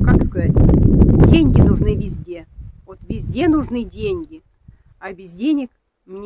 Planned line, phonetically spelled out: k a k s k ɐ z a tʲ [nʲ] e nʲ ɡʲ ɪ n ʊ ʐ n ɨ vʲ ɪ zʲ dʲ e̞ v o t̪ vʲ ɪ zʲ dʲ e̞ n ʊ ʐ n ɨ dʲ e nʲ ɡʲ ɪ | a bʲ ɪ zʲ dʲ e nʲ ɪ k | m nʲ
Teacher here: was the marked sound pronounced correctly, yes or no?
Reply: no